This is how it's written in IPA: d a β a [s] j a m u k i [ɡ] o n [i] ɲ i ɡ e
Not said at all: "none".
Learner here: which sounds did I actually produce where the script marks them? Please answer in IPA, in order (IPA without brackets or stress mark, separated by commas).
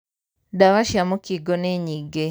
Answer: ʃ, ɡ, e